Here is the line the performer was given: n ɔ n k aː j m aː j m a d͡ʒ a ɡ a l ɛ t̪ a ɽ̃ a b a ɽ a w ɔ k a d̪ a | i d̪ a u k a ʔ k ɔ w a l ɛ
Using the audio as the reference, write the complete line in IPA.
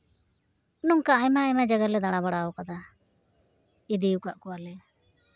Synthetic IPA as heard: n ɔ ŋ k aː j m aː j m a d͡ʒ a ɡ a l ɛ d̪ a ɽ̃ a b a ɽ a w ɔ k a d̪ a | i d̪ i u k a ʔ k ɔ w a l ɛ